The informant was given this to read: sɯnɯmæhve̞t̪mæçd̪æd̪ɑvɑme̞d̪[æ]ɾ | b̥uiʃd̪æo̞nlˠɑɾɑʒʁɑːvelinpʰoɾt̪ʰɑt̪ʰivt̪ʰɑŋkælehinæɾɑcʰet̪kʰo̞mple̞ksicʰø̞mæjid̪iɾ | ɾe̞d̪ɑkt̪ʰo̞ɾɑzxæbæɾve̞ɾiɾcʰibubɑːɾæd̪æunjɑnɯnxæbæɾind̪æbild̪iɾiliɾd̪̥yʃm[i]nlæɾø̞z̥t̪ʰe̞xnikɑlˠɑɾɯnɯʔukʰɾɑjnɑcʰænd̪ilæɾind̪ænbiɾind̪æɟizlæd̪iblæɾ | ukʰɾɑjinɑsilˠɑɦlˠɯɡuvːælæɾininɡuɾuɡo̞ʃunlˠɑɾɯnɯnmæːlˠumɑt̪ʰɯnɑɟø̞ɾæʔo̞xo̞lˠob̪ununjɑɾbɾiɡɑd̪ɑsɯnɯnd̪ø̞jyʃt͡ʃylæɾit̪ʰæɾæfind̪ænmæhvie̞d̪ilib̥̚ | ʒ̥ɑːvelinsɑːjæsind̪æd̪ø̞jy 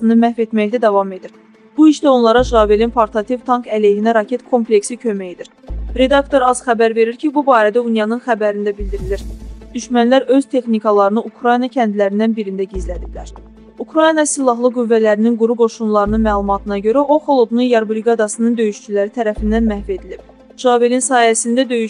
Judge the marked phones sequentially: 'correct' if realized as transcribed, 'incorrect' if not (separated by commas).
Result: incorrect, incorrect